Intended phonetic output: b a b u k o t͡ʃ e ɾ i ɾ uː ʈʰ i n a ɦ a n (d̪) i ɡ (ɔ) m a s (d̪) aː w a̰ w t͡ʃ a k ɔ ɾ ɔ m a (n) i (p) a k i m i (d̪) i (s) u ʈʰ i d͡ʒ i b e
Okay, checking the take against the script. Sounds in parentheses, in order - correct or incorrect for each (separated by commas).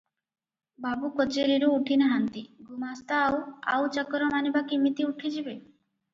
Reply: incorrect, incorrect, incorrect, correct, incorrect, incorrect, incorrect